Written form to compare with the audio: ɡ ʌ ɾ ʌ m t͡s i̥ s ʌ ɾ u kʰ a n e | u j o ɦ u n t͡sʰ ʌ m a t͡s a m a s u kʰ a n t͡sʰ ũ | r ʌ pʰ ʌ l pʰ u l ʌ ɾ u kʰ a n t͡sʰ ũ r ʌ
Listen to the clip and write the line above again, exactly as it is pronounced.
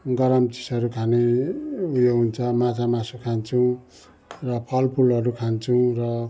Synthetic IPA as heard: ɡ ʌ ɾ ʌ m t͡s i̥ s ʌ ɾ u kʰ a n e | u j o ɦ u n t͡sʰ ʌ m a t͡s a m a s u kʰ a n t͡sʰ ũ | r ʌ pʰ ʌ l pʰ u l ʌ ɾ u kʰ a n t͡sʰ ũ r ʌ